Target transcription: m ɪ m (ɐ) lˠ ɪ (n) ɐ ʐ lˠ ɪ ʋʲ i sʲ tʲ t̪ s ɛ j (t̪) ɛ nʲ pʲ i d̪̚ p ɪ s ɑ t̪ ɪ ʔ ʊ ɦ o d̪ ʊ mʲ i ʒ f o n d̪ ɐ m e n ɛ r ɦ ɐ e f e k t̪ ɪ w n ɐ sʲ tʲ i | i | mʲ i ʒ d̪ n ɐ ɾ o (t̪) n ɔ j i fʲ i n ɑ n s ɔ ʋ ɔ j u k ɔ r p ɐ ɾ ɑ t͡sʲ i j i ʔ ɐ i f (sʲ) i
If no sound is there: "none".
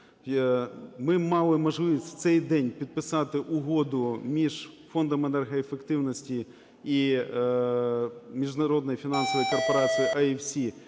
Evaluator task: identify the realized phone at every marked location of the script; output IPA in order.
ɑ, m, d̪, d̪, sʲ

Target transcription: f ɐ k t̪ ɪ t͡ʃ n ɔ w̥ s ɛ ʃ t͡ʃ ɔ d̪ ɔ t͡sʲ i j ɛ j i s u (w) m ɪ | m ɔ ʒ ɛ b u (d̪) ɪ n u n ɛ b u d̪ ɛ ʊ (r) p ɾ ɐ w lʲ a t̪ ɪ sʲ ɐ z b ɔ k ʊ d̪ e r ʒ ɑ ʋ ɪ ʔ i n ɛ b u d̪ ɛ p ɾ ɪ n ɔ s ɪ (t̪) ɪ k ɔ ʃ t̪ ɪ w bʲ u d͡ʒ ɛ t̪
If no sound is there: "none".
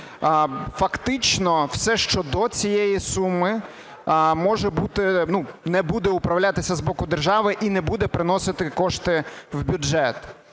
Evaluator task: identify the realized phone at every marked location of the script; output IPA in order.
none, t̪, none, t̪

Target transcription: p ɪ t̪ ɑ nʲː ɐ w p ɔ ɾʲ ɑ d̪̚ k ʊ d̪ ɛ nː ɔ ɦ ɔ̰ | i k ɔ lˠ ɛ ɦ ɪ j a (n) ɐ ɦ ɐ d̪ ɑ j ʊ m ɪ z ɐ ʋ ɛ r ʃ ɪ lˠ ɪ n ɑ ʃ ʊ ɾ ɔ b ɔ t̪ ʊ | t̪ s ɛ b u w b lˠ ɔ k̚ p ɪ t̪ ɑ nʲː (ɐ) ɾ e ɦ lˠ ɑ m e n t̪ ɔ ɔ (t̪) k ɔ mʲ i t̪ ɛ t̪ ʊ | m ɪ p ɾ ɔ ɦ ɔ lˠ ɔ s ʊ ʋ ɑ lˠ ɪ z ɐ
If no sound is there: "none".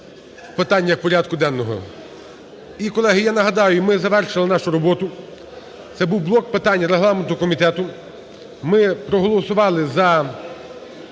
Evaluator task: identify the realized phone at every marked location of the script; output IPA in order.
n, ɐ, none

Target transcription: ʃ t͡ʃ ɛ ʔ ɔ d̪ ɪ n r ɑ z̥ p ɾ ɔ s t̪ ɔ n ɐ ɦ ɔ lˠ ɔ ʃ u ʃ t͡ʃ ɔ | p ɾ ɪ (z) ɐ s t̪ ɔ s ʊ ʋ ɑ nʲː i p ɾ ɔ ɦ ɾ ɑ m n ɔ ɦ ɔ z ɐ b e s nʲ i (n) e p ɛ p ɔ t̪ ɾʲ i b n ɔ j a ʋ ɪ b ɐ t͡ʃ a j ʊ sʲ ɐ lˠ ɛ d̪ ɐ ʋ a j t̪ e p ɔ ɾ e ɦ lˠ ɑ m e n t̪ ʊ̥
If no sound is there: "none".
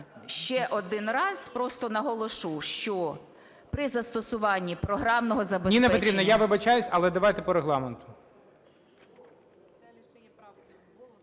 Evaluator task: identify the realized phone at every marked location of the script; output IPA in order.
z, n

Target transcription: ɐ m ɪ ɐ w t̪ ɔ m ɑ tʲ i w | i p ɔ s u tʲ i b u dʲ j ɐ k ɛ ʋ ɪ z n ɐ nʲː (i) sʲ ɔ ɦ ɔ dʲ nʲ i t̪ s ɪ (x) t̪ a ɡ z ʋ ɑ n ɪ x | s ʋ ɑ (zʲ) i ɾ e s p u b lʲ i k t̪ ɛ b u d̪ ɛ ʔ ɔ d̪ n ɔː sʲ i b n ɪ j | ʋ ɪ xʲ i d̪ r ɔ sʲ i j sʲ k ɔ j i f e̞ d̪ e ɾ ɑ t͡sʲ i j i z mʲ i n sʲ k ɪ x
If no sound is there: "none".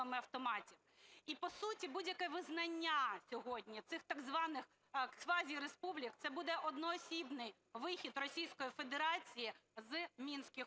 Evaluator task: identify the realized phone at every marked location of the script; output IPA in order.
a, x, zʲ

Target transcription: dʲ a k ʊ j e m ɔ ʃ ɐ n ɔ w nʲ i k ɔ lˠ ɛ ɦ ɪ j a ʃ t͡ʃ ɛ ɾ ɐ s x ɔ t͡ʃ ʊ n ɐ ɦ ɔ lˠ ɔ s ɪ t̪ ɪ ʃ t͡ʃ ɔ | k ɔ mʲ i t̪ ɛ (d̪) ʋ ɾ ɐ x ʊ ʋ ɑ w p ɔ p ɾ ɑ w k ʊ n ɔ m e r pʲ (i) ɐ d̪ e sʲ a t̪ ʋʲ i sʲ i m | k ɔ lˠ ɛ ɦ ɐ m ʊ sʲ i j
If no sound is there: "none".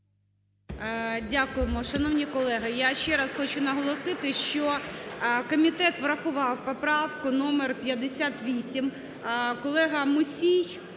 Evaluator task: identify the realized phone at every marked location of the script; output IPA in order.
t̪, j

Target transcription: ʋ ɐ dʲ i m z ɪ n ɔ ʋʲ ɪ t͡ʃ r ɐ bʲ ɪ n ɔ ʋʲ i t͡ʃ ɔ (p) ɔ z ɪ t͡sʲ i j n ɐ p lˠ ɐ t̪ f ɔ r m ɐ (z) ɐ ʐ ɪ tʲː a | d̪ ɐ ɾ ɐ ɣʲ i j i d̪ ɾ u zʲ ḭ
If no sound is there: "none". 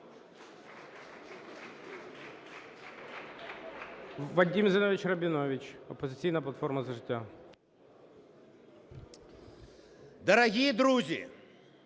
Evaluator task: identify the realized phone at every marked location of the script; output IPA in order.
p, z

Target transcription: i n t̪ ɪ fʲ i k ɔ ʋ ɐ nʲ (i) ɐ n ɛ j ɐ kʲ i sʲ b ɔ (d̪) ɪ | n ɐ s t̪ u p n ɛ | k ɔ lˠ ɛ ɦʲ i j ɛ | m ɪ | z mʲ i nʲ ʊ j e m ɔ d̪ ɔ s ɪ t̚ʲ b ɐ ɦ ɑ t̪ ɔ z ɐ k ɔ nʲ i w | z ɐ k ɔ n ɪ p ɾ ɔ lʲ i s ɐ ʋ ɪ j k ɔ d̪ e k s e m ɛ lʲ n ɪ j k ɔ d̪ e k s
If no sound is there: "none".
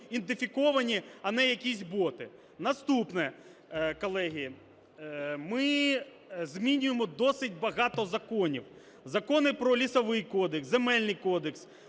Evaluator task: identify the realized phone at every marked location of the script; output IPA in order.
i, t̪

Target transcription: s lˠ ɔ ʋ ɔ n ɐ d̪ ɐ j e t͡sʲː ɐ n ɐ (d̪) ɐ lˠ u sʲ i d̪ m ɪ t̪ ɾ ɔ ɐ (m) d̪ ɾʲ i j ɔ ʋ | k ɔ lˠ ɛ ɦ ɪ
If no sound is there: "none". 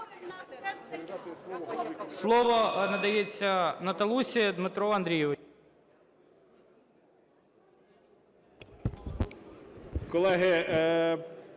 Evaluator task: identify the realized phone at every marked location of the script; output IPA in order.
t̪, n

